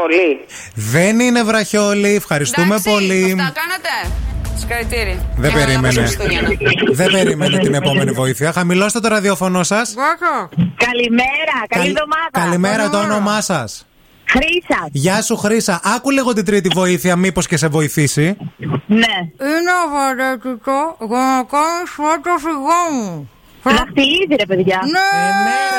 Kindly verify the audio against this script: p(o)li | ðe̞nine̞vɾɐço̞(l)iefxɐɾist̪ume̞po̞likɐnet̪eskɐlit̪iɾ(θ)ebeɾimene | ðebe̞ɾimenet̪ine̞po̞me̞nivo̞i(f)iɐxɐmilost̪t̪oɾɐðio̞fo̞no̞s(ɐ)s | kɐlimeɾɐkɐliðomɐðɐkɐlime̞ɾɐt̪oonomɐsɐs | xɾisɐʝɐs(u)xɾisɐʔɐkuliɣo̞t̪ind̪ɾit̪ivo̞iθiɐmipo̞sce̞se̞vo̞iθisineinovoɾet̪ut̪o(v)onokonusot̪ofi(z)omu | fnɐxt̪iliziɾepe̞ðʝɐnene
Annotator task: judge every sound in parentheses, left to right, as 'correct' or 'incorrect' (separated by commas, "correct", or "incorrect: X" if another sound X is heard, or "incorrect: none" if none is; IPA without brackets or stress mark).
correct, correct, incorrect: ð, incorrect: θ, correct, correct, incorrect: ɣ, incorrect: ɣ